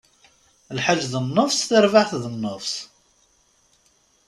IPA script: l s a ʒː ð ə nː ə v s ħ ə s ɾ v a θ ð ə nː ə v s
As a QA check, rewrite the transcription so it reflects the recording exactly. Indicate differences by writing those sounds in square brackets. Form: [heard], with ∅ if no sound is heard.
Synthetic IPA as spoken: l [ħ] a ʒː ð ə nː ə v s [θ] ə [∅] ɾ v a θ ð ə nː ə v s